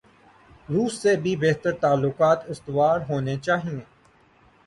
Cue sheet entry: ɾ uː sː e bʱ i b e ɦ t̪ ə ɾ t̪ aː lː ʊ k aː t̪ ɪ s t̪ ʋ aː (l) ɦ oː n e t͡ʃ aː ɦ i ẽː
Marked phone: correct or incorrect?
incorrect